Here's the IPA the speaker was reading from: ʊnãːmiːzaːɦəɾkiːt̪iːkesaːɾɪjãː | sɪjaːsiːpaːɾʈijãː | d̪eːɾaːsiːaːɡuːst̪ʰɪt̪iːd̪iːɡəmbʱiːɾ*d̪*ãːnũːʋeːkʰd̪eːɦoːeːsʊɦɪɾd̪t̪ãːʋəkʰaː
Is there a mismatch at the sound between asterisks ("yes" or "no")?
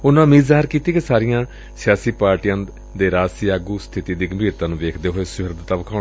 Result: yes